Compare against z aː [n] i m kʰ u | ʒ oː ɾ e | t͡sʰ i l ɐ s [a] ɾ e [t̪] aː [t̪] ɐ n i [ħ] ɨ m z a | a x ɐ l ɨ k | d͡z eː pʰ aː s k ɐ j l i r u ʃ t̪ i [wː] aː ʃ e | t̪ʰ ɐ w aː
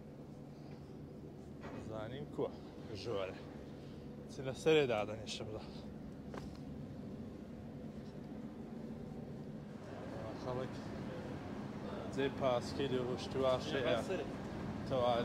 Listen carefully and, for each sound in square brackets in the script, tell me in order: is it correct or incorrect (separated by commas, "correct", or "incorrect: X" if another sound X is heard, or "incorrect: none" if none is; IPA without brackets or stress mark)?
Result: correct, incorrect: ɐ, incorrect: d̪, incorrect: d̪, incorrect: ʃ, incorrect: w